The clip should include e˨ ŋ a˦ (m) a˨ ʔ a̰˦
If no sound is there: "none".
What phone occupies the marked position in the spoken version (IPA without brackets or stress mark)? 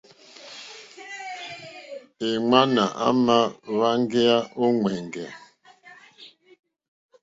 n